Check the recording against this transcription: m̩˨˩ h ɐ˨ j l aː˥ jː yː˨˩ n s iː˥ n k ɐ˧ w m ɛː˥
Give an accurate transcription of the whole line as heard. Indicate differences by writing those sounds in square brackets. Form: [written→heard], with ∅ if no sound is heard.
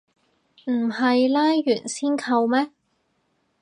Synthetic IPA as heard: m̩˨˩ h ɐ˨ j l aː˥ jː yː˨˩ n s iː˥ n [k→kʰ] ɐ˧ w m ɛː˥